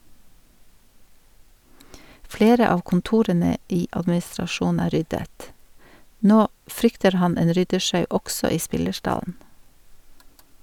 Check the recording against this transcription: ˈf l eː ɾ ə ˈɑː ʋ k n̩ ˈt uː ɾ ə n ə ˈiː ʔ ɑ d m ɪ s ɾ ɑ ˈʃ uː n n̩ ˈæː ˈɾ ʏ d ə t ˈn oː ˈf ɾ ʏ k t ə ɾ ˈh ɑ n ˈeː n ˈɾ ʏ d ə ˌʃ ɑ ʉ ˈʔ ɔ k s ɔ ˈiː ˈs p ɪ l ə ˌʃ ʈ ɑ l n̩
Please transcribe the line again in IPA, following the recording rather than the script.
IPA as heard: ˈf l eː ɾ ə ˈɑː ʋ k n̩ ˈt uː ɾ ə n ə ˈiː ʔ ɑ d m ɪ s ɾ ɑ ˈʃ uː n n̩ ˈæː ˈɾ ʏ d ə t ˈn oː ˈf ɾ ʏ k t ə ɾ ˈh ɑ n ˈeː n ˈɾ ʏ d ə ˌʃ ɑ ʉ ˈʔ ɔ ɡ s ɔ ˈiː ˈs p ɪ l ə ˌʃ ʈ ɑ l n̩

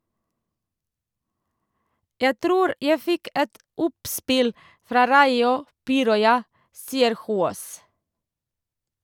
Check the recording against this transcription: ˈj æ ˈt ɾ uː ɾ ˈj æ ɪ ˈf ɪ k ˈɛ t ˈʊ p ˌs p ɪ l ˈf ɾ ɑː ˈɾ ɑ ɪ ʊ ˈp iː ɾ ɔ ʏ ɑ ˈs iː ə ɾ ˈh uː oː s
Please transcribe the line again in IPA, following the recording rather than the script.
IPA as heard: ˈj æ ˈt ɾ uː ɾ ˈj æ ɪ ˈf ɪ k ˈɛ t ˈʊ p ˌs p ɪ l ˈf ɾ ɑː ˈɾ ɑ ɪ ʊ ˈp iː ɾ ɔ ʏ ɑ ˈs iː ə ɾ ˈh uː oː s

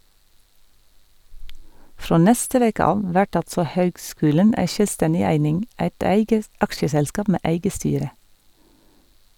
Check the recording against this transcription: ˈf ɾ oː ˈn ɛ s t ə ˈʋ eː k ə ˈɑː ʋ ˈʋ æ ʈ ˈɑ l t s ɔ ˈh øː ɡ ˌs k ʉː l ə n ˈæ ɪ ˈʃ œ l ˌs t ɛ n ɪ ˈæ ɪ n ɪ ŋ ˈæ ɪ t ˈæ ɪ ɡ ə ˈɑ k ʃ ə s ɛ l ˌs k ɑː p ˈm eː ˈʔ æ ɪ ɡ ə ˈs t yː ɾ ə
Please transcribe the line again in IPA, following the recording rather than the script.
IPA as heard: ˈf ɾ oː ˈn ɛ s t ə ˈʋ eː k ə ˈɑː ʋ ˈʋ æ ʈ ˈɑ l t s ɔ ˈh øː ɡ ˌs k ʉː l ə n ˈæ ɪ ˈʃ œ l ˌs t ɛ n ɪ ˈæ ɪ n ɪ ŋ ˈæ ɪ t ˈæ ɪ ɡ ə ˈɑ k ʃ ə s ɛ l ˌs k ɑː p ˈm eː ˈʔ æ ɪ ɡ ə ˈs t yː ɾ ə

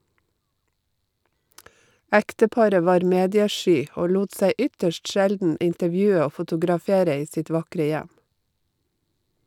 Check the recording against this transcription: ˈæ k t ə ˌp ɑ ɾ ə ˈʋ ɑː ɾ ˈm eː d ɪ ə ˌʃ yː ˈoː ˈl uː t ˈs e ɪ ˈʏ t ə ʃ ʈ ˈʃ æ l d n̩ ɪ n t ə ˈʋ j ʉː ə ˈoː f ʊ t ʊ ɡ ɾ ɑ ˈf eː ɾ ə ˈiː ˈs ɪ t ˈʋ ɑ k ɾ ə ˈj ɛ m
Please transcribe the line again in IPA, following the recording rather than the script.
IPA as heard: ˈæ k t ə ˌp ɑ ɾ ə ˈʋ ɑː ɾ ˈm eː d ɪ ə ˌʃ yː ˈoː ˈl uː t ˈs æ ɪ ˈʏ t ə ʃ ʈ ˈʃ æ l d n̩ ɪ n t ə ˈʋ j ʉː ə ˈoː f ʊ t ʊ ɡ ɾ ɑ ˈf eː ɾ ə ˈiː ˈs ɪ t ˈʋ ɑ k ɾ ə ˈj æ m

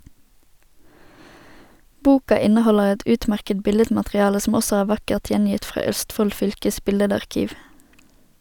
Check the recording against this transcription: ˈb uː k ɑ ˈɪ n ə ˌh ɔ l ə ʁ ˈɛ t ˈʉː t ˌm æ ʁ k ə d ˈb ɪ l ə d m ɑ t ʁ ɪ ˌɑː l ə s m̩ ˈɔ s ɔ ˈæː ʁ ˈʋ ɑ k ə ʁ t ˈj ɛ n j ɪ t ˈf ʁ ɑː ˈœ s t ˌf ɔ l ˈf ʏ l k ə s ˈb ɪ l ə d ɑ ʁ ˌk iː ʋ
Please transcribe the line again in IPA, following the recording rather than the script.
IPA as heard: ˈb uː k ɑ ˈɪ n ə ˌh ɔ l ə ʁ ˈɛ t ˈʉː t ˌm æ ʁ k ə d ˈb ɪ l ə d m ɑ t ʁ ɪ ˌɑː l ə s m̩ ˈɔ s ɔ ˈæː ʁ ˈʋ ɑ k ə ʁ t ˈj ɛ n j ɪ t ˈf ʁ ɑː ˈœ s t ˌf ɔ l ˈf ʏ l k ə s ˈb ɪ l ə d ɑ ʁ ˌk iː ʋ

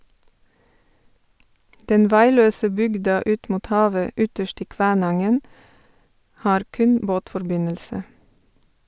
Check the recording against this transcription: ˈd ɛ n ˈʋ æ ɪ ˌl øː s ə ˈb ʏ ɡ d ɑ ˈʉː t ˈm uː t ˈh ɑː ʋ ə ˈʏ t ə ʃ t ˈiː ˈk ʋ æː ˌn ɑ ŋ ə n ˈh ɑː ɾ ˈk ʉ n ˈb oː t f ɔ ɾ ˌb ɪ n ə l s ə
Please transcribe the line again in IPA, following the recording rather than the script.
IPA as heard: ˈd ɛ n ˈʋ æ ɪ ˌl øː s ə ˈb ʏ ɡ d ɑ ˈʉː t ˈm uː t ˈh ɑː ʋ ə ˈʏ t ə ʃ t ˈiː ˈk ʋ æː ˌn ɑ ŋ ə n ˈh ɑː ɾ ˈk ʉ n ˈb oː t f ɔ ɾ ˌb ɪ n ə l s ə

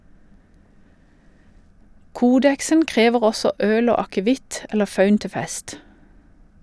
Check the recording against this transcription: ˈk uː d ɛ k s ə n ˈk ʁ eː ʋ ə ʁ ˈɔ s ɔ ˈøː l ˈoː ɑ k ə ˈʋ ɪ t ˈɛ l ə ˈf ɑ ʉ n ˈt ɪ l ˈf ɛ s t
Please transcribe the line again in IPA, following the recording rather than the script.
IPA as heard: ˈk uː d ɛ k s ə n ˈk ʁ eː ʋ ə ʁ ˈɔ s ɔ ˈøː l ˈoː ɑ k ə ˈʋ ɪ t ˈɛ l ə ˈf ɑ ʉ n ˈt ɪ ˈf ɛ s t

